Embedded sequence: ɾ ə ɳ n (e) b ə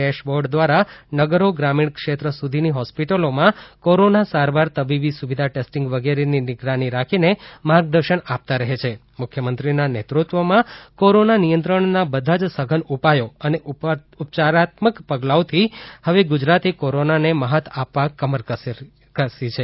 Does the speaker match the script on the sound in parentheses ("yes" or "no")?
no